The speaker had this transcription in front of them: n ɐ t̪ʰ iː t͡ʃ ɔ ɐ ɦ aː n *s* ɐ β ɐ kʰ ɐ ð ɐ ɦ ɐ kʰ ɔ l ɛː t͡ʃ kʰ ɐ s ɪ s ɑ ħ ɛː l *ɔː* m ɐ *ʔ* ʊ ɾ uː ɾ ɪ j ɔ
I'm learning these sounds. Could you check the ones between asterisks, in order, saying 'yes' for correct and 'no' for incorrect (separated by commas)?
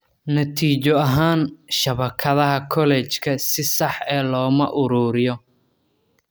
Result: no, yes, yes